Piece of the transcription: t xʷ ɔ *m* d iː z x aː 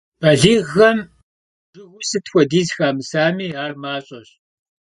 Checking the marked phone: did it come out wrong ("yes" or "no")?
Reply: yes